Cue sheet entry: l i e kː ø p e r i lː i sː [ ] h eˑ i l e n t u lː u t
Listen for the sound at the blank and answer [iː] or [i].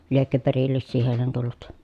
iː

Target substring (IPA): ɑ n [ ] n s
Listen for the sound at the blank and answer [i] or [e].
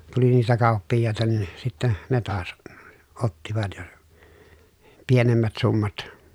i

